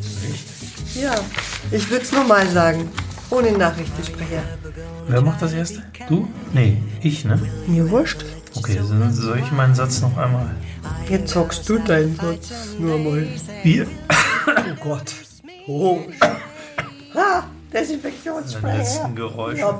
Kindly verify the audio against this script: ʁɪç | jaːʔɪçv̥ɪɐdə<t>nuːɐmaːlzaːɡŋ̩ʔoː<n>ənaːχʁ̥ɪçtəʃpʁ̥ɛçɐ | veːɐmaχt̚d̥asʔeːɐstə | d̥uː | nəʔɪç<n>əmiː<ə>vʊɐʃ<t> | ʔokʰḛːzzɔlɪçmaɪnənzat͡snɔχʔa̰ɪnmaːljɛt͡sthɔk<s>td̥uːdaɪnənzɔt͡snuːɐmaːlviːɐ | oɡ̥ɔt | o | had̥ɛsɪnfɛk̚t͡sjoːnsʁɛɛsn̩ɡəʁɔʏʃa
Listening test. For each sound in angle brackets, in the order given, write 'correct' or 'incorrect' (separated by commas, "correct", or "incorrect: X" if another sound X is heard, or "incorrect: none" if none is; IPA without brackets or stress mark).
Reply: incorrect: s, correct, correct, incorrect: ɐ, correct, correct